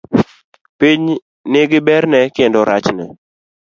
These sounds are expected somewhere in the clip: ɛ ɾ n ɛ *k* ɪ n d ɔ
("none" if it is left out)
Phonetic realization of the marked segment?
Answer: k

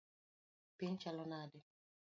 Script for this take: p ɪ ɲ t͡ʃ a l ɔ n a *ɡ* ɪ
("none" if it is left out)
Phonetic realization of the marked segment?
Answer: d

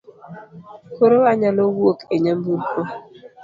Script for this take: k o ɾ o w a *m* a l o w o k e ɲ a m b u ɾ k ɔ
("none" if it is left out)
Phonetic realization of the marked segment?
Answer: ɲ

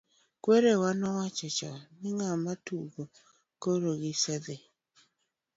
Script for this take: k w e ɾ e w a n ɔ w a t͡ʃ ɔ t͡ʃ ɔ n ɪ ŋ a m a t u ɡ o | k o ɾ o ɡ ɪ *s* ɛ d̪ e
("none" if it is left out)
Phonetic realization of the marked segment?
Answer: s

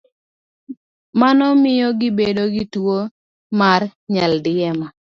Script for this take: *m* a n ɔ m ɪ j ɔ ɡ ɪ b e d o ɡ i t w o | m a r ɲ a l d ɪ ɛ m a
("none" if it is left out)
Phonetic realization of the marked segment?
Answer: m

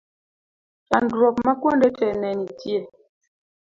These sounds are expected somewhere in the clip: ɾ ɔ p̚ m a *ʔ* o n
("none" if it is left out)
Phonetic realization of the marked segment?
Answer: k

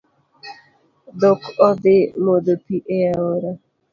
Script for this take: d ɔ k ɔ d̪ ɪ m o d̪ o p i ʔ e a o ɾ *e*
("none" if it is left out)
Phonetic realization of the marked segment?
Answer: a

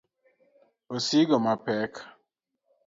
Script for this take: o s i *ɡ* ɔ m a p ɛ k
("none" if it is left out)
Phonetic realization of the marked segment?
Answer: ɡ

